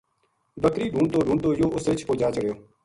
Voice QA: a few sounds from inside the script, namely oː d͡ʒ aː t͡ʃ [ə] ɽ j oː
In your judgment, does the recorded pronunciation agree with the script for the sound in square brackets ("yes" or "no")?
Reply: yes